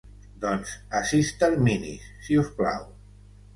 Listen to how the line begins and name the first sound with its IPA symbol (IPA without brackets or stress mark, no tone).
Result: d̪